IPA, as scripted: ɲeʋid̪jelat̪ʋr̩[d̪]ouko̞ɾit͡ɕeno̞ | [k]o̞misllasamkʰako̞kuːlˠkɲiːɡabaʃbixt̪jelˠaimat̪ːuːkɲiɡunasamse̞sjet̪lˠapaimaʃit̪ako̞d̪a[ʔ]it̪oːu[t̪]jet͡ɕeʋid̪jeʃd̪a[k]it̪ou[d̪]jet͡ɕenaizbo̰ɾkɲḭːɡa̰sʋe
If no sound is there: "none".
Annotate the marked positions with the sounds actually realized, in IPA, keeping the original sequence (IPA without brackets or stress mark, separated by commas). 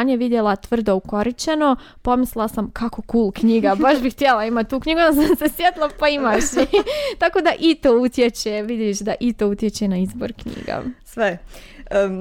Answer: d̪, p, ʔ, t̪, ʔ, t̪